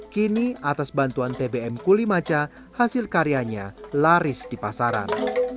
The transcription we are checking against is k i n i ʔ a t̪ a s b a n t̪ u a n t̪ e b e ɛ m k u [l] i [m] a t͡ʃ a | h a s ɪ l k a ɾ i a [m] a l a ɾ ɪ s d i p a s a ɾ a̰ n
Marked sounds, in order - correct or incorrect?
correct, correct, incorrect

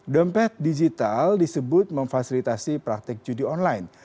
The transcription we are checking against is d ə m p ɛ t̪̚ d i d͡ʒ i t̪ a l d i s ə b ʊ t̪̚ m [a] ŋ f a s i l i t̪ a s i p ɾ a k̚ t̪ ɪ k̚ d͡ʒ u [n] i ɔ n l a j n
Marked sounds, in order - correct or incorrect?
incorrect, incorrect

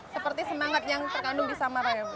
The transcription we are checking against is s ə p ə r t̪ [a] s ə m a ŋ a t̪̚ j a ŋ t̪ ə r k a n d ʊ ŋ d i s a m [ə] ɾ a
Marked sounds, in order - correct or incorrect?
incorrect, incorrect

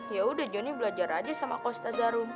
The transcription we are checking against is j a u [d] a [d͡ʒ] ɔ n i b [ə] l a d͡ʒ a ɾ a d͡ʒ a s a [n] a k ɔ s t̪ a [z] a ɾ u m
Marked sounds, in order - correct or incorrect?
correct, correct, correct, incorrect, correct

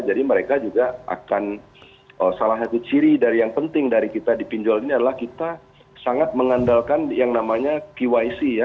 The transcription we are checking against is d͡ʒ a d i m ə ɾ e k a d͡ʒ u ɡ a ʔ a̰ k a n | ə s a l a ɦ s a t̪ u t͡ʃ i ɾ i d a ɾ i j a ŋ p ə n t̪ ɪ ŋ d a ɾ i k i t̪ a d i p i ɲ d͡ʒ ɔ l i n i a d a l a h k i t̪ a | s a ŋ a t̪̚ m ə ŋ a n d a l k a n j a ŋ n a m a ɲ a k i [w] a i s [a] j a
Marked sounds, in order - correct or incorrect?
correct, incorrect

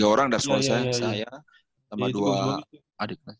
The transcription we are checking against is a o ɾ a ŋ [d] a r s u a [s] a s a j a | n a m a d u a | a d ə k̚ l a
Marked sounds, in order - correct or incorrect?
correct, correct

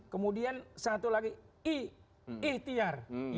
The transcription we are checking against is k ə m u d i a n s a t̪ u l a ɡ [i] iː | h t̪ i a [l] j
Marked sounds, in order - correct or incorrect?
correct, incorrect

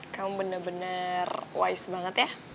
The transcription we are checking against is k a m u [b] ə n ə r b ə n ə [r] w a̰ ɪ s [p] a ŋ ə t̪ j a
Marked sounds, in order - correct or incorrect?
correct, correct, incorrect

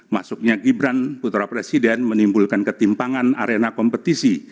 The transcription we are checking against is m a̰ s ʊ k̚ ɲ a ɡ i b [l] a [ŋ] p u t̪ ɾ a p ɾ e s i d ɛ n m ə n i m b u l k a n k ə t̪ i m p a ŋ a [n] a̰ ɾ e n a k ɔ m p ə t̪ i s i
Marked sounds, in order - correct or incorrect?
incorrect, incorrect, correct

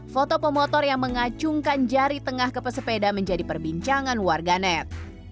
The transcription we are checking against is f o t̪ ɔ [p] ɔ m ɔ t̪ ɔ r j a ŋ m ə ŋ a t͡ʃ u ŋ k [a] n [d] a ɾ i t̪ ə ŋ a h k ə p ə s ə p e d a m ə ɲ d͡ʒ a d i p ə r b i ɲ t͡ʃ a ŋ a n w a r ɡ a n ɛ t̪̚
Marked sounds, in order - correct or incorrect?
correct, correct, incorrect

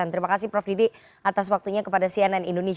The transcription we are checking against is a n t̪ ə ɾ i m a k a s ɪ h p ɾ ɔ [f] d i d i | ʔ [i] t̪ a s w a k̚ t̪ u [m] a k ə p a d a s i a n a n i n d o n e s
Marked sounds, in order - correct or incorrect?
correct, incorrect, incorrect

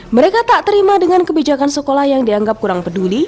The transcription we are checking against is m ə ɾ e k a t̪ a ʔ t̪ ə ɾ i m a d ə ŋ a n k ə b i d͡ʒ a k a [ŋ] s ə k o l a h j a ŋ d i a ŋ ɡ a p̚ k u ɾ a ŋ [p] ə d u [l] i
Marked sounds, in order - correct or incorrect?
incorrect, correct, correct

